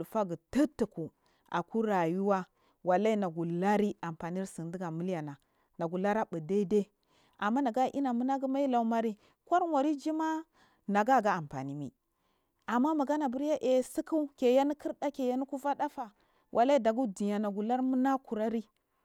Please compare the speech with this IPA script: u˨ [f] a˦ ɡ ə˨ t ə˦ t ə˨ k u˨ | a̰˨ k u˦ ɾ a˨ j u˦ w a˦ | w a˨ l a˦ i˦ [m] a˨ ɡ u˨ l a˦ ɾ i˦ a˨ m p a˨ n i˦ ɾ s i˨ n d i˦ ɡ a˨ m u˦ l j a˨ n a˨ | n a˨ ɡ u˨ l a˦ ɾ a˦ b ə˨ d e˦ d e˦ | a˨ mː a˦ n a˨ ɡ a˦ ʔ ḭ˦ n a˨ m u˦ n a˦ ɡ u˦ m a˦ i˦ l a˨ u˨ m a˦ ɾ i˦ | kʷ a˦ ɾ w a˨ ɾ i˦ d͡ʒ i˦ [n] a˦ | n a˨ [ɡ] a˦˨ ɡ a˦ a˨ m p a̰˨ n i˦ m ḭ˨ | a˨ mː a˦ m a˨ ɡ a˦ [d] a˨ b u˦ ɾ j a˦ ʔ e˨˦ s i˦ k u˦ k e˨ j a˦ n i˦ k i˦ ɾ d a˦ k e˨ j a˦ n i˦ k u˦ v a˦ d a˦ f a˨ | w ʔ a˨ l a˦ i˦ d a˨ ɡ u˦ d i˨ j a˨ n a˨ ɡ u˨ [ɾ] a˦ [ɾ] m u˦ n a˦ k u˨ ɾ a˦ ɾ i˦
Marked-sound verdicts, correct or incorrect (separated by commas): correct, incorrect, incorrect, correct, incorrect, incorrect, correct